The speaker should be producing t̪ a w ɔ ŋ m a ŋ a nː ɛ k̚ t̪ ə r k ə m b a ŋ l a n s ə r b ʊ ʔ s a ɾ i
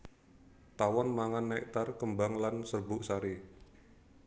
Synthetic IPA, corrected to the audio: t̪ a w ɔ n m a ŋ a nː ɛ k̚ t̪ a r k ə m b a ŋ l a n s ə r b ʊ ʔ s a ɾ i